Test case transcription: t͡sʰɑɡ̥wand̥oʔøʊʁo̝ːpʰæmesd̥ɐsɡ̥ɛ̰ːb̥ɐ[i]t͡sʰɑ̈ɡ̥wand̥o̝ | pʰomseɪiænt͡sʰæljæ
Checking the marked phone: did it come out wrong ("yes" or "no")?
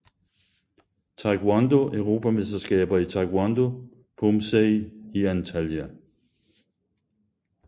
no